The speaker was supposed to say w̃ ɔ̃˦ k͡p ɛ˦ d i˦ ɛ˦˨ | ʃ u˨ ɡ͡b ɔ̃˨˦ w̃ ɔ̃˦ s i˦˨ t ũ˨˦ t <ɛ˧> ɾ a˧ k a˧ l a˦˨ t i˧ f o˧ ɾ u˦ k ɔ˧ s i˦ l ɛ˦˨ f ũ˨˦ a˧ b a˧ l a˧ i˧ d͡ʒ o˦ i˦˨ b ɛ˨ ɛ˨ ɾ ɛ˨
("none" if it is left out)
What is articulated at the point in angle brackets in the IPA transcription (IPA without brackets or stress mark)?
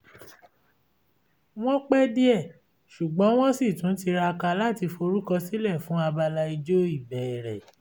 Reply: i˧